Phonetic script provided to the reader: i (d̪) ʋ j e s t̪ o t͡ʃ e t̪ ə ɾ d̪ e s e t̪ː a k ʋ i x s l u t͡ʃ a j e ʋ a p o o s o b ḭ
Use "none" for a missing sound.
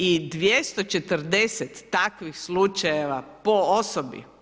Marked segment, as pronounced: d̪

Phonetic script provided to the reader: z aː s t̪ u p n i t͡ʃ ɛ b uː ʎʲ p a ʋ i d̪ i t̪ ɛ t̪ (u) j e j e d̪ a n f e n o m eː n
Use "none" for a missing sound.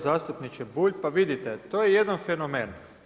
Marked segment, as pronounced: o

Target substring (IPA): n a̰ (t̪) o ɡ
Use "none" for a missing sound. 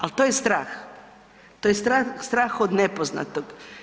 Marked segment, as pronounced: t̪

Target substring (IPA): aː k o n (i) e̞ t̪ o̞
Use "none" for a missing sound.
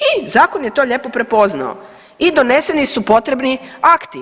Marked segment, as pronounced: j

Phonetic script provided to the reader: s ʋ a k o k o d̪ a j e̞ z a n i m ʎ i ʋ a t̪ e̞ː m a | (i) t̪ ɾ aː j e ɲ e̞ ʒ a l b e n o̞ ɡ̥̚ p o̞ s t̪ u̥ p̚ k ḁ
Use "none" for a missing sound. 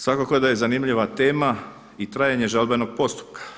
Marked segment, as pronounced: i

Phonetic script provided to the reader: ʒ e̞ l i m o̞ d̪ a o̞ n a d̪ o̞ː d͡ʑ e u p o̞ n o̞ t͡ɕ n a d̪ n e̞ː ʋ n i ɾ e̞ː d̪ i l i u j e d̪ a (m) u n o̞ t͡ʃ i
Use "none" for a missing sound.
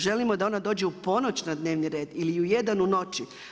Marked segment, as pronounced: n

